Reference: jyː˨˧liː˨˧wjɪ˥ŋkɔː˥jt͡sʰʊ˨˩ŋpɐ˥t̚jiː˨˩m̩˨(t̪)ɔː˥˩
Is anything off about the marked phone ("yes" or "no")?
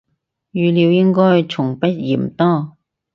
no